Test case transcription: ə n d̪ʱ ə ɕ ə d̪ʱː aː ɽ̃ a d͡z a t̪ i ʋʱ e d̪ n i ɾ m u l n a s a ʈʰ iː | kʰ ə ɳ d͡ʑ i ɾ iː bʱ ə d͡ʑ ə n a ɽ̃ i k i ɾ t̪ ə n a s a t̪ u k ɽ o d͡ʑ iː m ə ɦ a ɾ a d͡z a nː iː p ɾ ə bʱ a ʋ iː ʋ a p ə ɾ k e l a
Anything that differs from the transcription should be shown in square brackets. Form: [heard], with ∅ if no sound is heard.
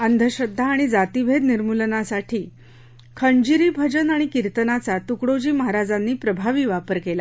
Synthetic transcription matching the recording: ə n d̪ʱ ə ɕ ə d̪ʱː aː ɽ̃ [i] d͡z a t̪ i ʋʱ e d̪ n i ɾ m u l n a s a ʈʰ iː | kʰ ə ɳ d͡ʑ i ɾ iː bʱ ə d͡ʑ ə n a ɽ̃ i k i ɾ t̪ ə n a [t͡s] a t̪ u k ɽ o d͡ʑ iː m ə ɦ a ɾ a d͡z a nː iː p ɾ ə bʱ a ʋ iː ʋ a p ə ɾ k e l a